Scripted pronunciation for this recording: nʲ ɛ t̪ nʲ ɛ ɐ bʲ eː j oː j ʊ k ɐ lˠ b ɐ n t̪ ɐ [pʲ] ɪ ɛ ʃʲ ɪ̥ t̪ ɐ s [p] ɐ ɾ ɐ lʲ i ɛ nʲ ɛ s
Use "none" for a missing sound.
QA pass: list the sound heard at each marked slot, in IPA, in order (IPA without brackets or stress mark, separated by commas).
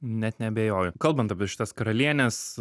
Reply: pʲ, k